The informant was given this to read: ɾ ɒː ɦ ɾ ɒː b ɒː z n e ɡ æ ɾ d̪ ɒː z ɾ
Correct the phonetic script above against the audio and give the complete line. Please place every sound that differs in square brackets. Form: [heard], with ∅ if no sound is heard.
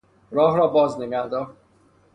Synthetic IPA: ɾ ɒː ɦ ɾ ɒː b ɒː z n e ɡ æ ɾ d̪ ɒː [∅] ɾ